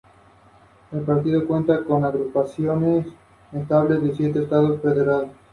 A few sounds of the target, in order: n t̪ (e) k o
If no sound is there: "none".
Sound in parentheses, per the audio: a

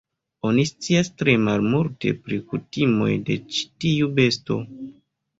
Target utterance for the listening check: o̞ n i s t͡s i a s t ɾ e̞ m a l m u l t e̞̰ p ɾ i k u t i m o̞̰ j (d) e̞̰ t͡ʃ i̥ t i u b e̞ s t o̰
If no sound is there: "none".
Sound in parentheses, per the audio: d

